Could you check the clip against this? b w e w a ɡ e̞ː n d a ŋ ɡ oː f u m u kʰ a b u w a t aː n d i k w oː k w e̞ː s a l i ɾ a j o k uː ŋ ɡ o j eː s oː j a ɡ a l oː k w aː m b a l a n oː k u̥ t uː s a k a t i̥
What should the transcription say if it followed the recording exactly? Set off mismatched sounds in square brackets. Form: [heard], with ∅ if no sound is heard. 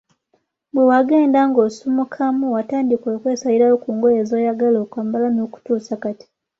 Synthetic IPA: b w e w a ɡ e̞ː n d a ŋ ɡ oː [s] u m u kʰ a [m] u w a t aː n d i k w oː k w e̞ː s a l i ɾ a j o k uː ŋ ɡ o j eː [z] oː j a ɡ a l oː k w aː m b a l a n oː k u̥ t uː s a k a t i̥